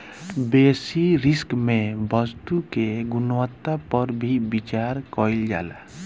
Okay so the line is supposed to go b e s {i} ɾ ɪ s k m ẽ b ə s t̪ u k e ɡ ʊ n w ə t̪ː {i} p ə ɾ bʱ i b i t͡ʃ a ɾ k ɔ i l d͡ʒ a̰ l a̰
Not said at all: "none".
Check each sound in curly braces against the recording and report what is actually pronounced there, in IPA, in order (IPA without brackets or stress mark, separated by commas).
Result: i, a